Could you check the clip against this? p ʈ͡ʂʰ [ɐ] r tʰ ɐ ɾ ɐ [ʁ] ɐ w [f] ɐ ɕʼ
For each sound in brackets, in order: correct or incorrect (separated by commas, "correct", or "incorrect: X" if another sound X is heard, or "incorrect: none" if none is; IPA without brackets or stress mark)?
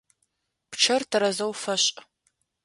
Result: correct, incorrect: z, correct